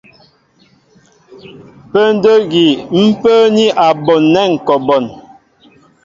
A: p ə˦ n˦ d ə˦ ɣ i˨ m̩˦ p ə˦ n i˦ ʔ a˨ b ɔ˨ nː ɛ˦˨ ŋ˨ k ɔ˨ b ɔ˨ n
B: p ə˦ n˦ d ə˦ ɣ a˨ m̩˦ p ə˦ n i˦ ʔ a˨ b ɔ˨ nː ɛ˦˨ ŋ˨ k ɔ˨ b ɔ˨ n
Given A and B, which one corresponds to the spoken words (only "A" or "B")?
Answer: A